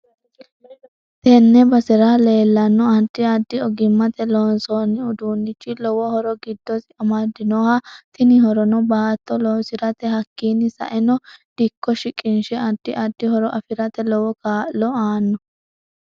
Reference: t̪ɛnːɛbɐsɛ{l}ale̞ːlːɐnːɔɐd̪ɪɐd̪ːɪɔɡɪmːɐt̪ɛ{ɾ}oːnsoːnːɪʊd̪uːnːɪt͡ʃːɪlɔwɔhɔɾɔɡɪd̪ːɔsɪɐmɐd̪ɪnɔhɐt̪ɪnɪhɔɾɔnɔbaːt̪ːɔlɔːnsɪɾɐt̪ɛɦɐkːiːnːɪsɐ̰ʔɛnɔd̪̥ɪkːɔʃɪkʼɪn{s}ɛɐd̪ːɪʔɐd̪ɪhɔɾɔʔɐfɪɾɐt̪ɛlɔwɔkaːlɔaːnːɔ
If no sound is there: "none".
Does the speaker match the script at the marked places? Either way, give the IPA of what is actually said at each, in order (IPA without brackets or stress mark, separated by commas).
ɾ, l, ʃ